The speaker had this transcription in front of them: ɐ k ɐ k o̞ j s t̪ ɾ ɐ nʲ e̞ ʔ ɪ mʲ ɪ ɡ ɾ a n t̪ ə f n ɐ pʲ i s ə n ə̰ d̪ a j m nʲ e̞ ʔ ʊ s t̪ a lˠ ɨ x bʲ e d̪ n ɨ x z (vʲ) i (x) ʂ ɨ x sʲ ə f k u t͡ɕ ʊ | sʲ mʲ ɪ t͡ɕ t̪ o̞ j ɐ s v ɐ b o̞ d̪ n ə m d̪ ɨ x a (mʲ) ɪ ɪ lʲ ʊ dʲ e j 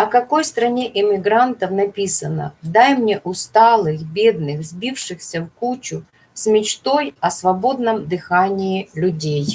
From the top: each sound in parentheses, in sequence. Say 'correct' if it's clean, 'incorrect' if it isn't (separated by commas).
incorrect, incorrect, incorrect